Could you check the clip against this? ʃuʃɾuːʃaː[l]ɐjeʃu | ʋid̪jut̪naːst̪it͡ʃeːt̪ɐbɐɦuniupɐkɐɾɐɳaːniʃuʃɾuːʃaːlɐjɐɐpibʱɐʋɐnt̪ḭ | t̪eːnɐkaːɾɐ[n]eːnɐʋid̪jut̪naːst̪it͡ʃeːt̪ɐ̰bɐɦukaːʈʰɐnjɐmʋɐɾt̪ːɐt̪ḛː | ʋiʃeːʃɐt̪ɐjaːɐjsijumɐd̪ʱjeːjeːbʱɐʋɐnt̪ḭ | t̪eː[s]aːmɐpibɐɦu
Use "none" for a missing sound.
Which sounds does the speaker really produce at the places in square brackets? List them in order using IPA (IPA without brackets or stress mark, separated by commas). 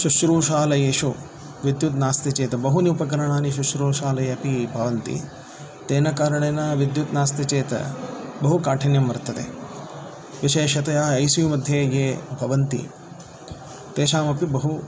l, ɳ, ʃ